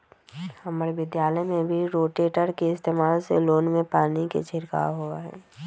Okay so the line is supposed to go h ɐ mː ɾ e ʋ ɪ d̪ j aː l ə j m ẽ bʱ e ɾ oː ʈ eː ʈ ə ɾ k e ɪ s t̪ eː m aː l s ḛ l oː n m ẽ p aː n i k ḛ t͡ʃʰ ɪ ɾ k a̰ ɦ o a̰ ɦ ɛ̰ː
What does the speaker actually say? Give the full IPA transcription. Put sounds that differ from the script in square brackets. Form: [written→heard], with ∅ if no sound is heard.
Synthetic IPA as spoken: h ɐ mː ɾ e ʋ ɪ d̪ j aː l ə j m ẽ bʱ [e→i] ɾ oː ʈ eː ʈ ə ɾ k e ɪ s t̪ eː m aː l s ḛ l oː n m ẽ p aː n i k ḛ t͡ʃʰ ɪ ɾ k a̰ ɦ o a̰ ɦ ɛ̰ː